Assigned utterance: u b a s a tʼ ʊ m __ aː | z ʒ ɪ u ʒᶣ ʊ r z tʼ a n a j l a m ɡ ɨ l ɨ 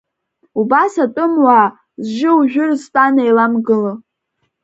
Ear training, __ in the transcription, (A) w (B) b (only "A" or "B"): A